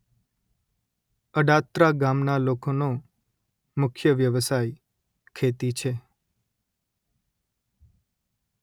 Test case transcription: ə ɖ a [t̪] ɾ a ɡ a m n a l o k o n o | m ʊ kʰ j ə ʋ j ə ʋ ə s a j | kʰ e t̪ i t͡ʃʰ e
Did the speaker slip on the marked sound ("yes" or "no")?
no